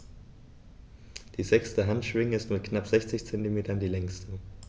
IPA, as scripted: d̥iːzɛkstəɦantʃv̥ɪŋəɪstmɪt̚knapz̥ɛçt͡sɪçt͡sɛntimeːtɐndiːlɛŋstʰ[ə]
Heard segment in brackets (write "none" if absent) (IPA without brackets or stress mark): ə